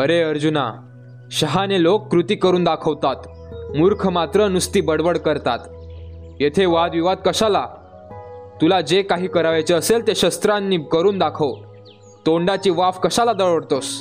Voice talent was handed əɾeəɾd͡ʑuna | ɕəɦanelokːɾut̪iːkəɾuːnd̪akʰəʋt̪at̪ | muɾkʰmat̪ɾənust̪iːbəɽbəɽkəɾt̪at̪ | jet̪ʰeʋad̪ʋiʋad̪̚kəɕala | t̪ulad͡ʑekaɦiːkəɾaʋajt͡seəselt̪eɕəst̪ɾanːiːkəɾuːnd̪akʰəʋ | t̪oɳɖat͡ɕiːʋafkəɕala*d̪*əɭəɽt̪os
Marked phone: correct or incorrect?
correct